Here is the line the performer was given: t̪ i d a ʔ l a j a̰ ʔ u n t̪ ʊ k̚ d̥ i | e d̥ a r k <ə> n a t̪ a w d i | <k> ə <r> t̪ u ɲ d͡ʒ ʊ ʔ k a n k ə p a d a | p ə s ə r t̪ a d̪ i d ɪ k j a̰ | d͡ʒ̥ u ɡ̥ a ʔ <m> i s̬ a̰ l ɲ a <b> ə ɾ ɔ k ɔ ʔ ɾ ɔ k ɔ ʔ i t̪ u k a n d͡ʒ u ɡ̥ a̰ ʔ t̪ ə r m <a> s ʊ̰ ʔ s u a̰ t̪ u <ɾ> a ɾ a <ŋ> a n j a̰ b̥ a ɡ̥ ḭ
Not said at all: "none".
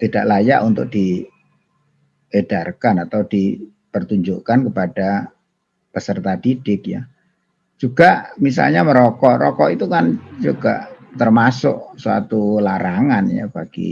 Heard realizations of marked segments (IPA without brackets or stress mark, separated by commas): a, p, r, m, m, a, l, ŋ